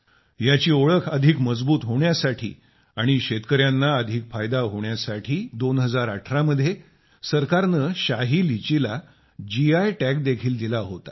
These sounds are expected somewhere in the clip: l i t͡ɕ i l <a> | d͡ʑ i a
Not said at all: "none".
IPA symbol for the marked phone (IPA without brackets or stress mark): a